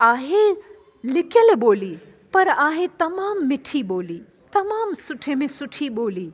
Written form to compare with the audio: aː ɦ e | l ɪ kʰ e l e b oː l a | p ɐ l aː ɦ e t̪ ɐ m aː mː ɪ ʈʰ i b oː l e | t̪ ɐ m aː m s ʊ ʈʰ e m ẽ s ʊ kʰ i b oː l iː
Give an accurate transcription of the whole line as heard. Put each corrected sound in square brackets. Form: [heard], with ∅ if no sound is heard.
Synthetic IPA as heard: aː ɦ e | l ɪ [k] e l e b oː l [i] | p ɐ [ɾ] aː ɦ e t̪ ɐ m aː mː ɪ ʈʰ i b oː l [i] | t̪ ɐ m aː m s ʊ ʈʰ e m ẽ s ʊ [ʈʰ] i b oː l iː